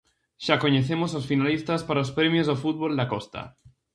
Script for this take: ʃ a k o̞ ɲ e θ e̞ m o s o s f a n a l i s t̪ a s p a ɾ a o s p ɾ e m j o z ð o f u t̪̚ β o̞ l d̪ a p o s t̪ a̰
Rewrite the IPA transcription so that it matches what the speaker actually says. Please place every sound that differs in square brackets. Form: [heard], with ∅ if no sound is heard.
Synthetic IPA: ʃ a k o̞ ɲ e θ e̞ m o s o s f [i] n a l i s t̪ a s p a ɾ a o s p ɾ e m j o z ð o f u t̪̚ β o̞ l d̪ a [k] o s t̪ a̰